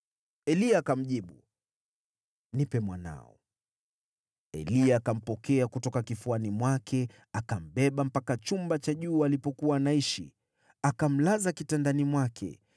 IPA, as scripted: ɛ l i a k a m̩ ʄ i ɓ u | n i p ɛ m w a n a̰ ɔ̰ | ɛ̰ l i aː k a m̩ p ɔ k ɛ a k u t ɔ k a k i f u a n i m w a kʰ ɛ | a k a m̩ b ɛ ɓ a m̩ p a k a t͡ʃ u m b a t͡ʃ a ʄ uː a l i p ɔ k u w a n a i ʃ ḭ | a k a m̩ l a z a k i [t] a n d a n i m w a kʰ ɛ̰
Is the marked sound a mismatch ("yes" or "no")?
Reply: no